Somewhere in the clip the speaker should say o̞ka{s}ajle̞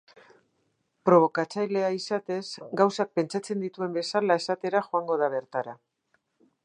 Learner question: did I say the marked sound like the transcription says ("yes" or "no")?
no